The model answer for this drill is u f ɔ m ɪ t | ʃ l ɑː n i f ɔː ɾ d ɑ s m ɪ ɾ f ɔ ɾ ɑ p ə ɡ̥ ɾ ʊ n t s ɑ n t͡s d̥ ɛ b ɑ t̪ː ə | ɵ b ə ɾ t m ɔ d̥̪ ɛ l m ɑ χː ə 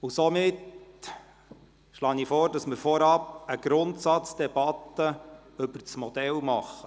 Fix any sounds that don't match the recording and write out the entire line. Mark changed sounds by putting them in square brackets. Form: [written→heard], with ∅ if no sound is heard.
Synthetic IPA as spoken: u [f→s] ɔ m ɪ t | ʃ l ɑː n i f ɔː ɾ d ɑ s m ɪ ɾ f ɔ ɾ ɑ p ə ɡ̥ ɾ ʊ n t s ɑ [n→∅] t͡s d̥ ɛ b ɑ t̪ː ə | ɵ b ə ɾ [t→t͡s] m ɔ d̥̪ ɛ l m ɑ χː ə